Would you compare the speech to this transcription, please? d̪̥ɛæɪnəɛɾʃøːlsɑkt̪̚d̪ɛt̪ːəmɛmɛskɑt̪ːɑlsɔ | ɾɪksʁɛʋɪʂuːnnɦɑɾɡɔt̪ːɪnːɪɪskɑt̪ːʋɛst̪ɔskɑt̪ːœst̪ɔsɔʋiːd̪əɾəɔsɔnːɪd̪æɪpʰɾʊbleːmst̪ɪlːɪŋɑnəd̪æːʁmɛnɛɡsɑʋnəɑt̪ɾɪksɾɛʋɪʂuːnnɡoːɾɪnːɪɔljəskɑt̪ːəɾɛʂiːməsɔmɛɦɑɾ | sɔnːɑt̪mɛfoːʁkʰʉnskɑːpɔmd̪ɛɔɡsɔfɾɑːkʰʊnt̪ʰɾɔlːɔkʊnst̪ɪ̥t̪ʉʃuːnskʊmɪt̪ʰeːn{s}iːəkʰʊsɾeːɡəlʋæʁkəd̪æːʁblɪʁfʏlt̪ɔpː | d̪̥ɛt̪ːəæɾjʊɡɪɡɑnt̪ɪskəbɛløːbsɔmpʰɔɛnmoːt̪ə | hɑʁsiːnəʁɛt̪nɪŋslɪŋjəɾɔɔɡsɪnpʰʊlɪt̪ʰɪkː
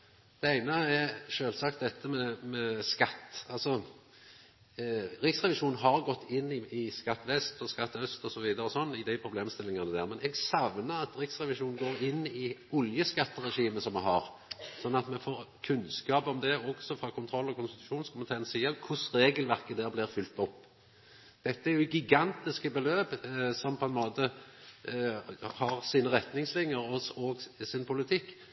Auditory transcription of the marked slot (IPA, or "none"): s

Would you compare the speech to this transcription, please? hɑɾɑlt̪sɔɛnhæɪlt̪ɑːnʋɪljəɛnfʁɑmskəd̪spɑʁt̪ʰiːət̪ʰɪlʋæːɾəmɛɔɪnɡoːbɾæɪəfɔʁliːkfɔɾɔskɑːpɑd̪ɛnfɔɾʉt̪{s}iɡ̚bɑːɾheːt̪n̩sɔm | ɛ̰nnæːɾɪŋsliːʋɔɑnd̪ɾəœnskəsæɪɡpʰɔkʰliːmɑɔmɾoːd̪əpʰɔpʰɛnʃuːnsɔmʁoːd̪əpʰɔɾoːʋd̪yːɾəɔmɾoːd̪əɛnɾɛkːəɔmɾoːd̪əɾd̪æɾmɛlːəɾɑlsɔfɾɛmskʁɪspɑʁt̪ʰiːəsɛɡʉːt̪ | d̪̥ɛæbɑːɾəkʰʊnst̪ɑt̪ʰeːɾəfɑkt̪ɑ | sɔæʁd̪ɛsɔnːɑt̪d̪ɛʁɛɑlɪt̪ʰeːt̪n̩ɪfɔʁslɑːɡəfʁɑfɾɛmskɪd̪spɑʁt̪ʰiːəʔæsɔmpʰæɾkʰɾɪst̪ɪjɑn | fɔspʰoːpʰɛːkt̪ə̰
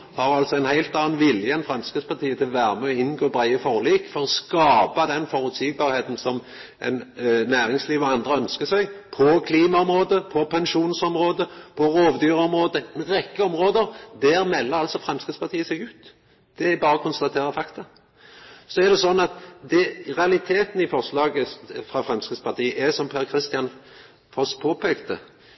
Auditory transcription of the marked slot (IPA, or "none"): s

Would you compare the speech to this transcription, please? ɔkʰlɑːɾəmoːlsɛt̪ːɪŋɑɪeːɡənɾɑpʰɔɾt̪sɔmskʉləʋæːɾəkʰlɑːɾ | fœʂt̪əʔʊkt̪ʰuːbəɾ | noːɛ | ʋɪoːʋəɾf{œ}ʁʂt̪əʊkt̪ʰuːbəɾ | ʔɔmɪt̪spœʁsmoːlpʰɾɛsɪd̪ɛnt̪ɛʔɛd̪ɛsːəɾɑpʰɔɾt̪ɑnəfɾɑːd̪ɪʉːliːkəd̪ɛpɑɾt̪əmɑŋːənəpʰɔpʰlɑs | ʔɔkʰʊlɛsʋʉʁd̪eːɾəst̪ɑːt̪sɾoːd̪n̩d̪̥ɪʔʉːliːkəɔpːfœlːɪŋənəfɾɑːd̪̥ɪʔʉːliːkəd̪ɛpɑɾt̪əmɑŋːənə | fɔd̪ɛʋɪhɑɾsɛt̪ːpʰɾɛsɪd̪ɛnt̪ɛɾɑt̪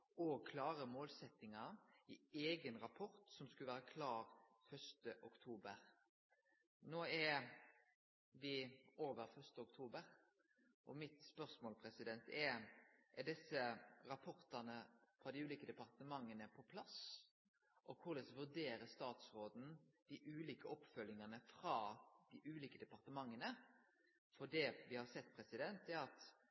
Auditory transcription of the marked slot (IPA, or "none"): œ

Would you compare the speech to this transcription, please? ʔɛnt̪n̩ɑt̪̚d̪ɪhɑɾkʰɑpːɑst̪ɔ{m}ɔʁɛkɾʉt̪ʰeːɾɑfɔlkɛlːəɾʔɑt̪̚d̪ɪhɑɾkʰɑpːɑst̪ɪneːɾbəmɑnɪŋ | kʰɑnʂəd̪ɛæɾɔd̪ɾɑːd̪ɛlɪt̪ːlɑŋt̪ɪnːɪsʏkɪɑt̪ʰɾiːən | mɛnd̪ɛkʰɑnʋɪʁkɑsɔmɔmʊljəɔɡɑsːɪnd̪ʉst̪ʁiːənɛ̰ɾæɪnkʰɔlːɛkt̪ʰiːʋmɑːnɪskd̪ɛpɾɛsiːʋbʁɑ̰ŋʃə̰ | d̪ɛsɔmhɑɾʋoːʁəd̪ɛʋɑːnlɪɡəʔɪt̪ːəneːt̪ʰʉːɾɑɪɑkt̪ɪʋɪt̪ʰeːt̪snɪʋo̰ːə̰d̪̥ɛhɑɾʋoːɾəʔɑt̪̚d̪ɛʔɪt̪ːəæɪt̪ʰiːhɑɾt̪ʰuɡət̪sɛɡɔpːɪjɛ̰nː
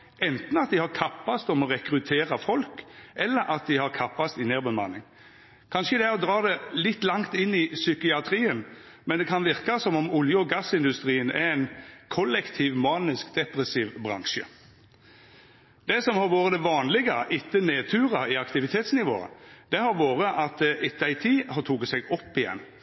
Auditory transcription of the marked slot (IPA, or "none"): m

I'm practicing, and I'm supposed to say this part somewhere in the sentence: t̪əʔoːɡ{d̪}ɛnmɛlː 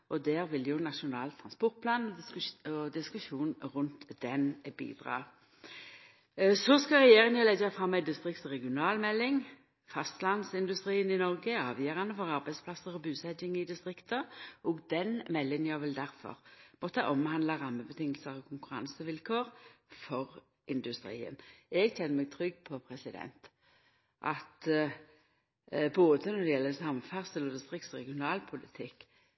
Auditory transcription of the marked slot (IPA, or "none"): d̪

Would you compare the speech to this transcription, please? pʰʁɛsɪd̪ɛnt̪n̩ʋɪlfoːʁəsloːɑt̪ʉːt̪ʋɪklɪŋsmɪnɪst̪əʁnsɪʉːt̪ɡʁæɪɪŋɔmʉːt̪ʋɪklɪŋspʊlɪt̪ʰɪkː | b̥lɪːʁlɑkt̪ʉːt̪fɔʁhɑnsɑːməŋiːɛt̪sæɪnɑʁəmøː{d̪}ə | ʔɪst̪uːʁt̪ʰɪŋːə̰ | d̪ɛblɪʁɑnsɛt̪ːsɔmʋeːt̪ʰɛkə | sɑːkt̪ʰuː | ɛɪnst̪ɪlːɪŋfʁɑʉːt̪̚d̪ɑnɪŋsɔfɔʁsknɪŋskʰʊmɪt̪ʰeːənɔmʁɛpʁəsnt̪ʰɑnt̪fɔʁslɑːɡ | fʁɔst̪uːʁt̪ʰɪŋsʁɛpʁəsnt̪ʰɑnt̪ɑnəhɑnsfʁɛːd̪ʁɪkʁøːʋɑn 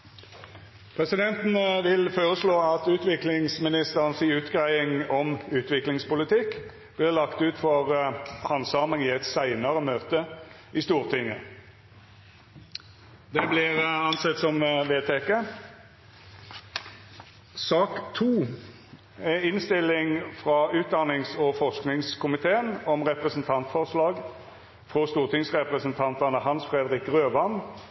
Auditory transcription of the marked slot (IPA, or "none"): t̪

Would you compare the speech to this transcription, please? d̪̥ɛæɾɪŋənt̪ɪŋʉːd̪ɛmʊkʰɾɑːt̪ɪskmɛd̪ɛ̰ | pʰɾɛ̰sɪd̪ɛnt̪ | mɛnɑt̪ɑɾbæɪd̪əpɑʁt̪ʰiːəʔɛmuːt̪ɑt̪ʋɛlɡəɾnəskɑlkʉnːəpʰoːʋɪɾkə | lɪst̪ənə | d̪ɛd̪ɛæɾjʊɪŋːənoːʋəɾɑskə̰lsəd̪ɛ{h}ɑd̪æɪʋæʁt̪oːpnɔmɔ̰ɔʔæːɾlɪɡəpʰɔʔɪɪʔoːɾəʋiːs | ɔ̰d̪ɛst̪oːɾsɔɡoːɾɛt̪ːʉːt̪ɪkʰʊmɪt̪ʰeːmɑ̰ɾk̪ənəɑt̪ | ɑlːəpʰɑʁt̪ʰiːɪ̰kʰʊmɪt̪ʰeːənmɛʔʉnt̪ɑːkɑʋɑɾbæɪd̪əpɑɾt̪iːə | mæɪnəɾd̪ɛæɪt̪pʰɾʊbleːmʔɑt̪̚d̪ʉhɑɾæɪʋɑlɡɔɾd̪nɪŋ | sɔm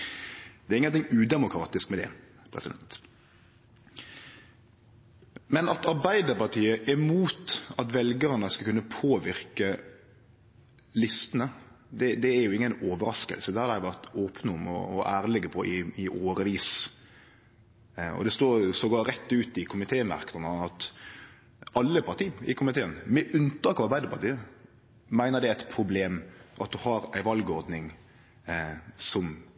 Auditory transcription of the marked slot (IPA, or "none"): h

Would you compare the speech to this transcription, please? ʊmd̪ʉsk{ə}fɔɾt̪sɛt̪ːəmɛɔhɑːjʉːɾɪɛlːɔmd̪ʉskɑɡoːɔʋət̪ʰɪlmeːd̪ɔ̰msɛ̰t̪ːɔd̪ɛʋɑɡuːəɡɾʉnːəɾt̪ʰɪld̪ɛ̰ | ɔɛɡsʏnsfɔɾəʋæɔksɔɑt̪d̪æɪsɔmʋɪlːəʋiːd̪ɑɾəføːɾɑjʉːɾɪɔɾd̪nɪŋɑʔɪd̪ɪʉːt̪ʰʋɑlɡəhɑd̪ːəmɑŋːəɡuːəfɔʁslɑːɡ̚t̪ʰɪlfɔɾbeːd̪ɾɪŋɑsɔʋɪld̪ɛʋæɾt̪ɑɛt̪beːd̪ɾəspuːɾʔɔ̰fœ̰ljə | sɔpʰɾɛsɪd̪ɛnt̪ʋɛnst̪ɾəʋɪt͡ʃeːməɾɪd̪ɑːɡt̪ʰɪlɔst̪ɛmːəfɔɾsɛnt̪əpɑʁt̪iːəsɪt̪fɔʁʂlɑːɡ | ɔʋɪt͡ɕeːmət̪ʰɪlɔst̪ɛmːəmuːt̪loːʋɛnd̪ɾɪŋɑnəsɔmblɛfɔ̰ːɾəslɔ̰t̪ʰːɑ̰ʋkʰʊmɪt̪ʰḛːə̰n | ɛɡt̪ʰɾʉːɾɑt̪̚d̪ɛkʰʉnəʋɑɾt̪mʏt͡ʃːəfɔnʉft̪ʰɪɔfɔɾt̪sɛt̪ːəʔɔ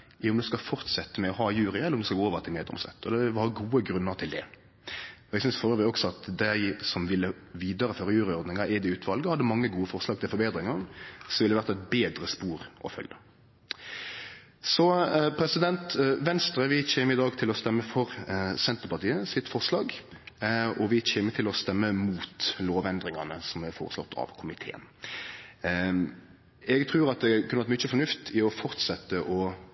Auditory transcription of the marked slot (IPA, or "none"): ɑ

